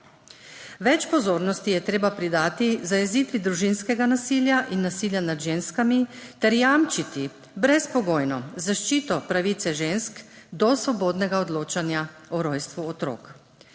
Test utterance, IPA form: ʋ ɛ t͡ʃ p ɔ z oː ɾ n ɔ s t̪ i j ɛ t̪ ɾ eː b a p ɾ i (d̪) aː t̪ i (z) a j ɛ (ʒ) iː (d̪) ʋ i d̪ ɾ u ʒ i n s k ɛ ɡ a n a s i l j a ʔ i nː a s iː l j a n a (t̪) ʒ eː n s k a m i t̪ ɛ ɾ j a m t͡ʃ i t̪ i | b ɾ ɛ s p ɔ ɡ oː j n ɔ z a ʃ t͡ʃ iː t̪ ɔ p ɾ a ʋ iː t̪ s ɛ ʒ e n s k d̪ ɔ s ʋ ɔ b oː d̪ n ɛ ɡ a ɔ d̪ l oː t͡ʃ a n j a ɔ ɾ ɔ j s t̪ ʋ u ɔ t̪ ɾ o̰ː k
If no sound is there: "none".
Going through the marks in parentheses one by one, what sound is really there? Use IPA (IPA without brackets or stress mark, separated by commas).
d̪, z, z, t̪, d̪